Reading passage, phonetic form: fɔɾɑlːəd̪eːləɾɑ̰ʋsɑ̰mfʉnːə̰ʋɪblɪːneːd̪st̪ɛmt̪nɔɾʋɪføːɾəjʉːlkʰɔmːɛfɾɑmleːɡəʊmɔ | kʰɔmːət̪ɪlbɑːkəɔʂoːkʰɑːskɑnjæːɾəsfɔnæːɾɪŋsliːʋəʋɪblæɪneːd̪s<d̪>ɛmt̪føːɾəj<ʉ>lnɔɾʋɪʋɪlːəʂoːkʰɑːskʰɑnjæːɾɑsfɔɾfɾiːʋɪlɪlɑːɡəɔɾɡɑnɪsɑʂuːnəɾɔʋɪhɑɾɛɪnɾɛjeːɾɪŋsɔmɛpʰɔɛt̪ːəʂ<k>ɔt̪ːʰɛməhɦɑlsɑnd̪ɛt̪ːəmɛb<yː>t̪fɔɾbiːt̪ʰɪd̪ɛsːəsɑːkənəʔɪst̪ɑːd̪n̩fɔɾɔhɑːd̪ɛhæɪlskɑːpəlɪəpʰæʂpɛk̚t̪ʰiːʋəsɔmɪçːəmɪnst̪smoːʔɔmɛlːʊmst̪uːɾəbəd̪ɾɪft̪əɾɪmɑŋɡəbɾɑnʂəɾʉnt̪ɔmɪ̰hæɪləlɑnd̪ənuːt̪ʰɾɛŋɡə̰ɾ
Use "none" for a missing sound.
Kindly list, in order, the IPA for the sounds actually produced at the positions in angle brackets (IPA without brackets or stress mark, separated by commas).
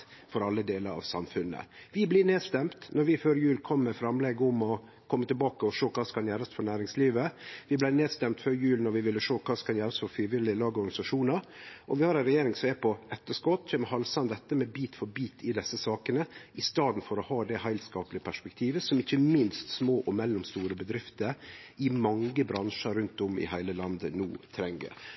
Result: t̪, ʉː, k, iː